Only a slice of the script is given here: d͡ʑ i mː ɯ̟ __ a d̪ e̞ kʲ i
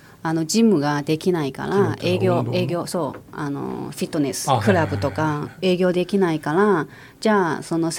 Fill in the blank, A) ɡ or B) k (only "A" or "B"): A